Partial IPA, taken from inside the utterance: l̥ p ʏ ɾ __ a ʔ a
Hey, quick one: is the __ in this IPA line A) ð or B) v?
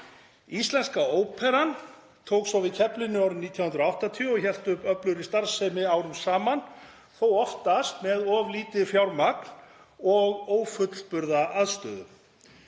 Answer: A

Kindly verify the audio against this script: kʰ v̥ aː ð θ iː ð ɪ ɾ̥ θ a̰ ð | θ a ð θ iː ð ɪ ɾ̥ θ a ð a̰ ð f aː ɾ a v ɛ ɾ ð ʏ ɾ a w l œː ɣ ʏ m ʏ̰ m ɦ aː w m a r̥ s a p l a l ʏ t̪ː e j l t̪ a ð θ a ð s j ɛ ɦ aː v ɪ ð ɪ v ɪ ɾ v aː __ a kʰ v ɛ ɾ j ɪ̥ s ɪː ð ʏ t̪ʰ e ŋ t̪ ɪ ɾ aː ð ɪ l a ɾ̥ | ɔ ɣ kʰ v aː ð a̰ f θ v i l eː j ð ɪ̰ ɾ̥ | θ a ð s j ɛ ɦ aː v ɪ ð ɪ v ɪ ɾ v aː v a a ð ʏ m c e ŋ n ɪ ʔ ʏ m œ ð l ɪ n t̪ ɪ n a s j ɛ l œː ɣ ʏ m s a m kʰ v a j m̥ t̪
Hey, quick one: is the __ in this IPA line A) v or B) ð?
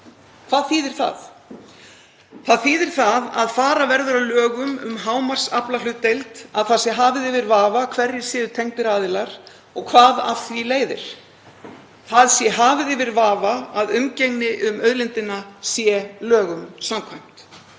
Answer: A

